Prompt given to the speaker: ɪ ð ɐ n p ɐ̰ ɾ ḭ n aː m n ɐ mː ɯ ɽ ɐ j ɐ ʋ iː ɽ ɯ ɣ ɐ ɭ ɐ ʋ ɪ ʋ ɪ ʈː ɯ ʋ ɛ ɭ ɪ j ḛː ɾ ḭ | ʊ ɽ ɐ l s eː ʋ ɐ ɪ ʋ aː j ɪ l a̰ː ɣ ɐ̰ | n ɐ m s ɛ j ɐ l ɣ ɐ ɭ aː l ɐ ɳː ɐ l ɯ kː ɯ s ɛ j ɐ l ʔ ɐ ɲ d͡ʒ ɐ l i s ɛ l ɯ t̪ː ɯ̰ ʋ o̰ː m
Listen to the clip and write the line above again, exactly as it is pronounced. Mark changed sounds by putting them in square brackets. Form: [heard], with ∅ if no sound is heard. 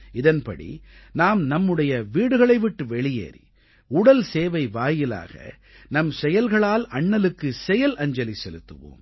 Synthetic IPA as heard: ɪ ð ɐ n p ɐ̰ [ɽ] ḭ n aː m n ɐ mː ɯ ɽ ɐ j ɐ ʋ iː ɽ ɯ ɣ ɐ ɭ ɐ [∅] ɪ ʋ ɪ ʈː ɯ ʋ ɛ ɭ ɪ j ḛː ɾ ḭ | ʊ ɽ ɐ l s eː ʋ ɐ ɪ ʋ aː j ɪ l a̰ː ɣ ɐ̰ | n ɐ m s ɛ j ɐ l ɣ ɐ ɭ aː l ɐ ɳː ɐ l ɯ kː ɯ s ɛ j ɐ l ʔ ɐ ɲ d͡ʒ ɐ l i s ɛ l ɯ t̪ː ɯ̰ ʋ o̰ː m